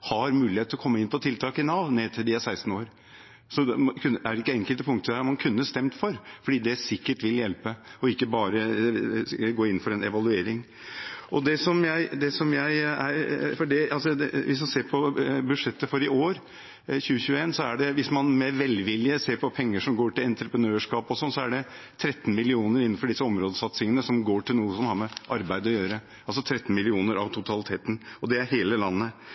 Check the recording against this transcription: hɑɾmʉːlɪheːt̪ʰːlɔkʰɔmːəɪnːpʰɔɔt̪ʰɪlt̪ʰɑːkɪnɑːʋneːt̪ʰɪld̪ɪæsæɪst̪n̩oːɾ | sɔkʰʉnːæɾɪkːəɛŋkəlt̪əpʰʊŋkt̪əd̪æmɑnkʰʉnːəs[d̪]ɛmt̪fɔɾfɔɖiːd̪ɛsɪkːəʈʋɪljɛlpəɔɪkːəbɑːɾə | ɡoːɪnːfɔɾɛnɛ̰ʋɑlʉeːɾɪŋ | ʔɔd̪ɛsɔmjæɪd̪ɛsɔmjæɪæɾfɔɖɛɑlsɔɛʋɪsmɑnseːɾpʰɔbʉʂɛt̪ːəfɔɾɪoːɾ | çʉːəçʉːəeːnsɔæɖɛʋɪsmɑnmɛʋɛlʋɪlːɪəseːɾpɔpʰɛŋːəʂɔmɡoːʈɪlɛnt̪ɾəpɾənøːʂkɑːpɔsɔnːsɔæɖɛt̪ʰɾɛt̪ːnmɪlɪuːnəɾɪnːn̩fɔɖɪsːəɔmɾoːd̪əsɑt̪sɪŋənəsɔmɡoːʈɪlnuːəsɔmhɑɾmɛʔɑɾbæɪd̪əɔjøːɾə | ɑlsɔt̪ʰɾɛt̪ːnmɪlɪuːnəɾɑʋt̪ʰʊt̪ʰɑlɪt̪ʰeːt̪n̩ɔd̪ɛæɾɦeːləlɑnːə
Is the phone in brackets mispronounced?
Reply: yes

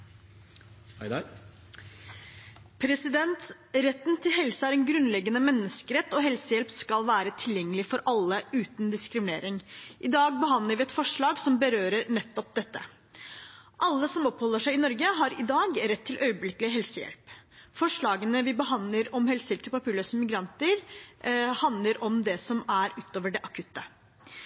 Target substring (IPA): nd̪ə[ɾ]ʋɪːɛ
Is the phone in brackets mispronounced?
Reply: no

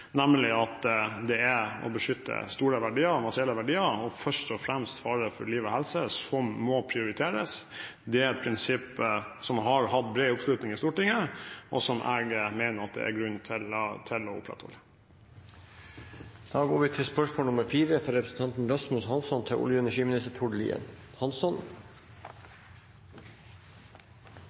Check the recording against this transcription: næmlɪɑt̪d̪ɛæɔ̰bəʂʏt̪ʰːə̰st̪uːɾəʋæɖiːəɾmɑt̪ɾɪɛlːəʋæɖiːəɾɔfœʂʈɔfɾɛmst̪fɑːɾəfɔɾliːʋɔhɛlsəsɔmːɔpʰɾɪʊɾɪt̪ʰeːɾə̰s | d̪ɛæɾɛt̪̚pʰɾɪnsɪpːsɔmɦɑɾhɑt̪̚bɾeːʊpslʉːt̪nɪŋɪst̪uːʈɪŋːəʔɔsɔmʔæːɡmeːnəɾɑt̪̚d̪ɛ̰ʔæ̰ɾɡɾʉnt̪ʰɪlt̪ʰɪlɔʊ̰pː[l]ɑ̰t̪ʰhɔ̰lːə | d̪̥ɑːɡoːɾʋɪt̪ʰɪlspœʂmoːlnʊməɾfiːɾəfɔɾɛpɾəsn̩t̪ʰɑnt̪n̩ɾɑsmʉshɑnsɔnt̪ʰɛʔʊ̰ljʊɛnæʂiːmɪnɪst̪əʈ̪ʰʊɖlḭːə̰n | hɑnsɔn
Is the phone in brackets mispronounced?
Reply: yes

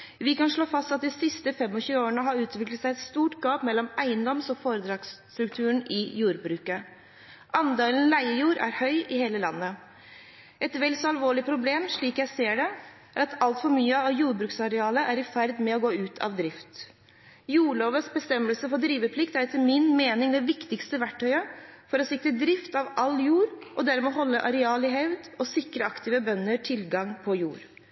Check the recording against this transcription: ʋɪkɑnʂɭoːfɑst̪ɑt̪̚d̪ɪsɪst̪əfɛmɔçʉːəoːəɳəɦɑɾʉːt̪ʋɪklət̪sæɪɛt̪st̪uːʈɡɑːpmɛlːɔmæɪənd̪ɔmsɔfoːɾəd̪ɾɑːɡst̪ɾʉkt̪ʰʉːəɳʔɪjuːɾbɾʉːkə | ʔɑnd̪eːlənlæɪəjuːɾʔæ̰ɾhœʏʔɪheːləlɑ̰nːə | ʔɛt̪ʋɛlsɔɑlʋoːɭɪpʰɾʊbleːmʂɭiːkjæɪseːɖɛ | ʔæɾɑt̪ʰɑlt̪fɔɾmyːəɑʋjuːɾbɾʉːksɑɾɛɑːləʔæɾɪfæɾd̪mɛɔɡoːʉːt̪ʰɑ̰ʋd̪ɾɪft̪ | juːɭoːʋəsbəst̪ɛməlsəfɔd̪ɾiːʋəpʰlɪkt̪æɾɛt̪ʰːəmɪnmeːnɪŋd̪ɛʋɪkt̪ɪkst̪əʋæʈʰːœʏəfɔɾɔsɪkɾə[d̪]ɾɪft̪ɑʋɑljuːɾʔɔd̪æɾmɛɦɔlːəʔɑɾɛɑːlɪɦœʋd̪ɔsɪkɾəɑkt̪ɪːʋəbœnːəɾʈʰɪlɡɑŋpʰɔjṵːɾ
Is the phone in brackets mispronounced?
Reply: no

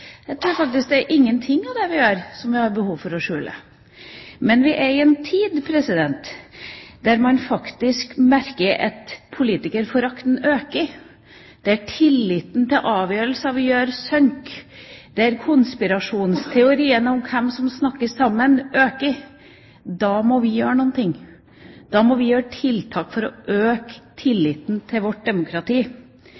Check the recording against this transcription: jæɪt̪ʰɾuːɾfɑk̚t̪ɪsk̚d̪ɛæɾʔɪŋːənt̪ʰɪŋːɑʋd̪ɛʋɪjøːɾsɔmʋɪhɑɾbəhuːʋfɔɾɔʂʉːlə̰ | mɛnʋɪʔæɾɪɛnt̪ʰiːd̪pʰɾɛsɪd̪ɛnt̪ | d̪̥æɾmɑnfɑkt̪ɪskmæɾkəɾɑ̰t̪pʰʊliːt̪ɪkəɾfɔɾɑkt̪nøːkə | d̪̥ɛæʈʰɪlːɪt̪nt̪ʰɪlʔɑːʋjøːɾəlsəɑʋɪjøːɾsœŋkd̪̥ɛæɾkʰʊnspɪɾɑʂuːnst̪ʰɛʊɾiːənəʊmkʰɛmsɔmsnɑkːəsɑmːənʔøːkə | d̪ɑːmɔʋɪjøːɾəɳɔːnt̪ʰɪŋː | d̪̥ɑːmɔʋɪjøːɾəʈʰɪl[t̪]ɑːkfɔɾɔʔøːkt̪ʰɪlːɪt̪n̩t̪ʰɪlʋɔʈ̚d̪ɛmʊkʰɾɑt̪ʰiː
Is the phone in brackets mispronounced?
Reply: yes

